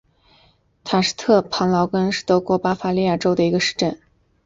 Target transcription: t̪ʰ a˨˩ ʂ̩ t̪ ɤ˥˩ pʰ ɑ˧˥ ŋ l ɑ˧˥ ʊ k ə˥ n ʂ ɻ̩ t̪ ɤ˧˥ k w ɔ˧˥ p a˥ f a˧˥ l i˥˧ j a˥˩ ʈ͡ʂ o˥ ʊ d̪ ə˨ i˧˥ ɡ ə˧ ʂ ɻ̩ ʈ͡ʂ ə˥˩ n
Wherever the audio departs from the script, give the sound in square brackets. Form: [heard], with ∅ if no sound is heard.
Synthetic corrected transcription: t̪ʰ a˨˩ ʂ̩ [t̪ʰ] ɤ˥˩ pʰ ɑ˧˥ ŋ l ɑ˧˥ ʊ k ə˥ n ʂ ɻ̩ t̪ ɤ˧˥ k w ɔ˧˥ p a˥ f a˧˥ l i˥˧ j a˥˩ ʈ͡ʂ o˥ ʊ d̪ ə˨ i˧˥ ɡ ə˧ ʂ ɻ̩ ʈ͡ʂ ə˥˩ n